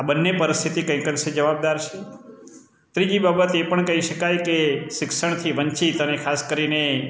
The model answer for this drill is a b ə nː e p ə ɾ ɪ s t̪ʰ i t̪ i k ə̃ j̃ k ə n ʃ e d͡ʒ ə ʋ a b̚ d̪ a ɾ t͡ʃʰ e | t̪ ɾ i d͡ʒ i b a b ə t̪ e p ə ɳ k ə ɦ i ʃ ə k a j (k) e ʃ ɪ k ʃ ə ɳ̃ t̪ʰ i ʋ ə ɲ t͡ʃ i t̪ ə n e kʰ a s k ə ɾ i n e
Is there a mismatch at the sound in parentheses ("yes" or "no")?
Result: no